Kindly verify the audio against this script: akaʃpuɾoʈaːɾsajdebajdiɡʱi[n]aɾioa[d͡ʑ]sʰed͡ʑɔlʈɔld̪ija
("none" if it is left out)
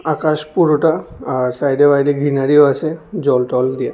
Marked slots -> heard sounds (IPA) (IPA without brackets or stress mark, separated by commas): n, none